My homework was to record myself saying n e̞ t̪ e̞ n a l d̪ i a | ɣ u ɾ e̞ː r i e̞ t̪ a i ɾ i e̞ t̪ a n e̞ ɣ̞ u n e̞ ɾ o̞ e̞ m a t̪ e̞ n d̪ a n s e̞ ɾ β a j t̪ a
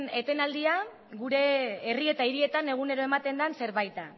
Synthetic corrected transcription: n e̞ t̪ e̞ n a l d̪ i a | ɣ u ɾ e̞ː r i e̞ t̪ a i ɾ i e̞ t̪ a n e̞ ɣ̞ u n e̞ ɾ o̞ e̞ m a t̪ e̞ n d̪ a n s e̞ ɾ β a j t̪ a